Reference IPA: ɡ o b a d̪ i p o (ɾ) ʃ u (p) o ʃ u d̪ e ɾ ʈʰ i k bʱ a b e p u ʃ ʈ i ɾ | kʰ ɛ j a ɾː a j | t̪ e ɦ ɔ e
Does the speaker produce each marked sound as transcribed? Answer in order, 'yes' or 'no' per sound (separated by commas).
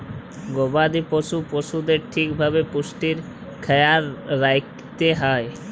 no, yes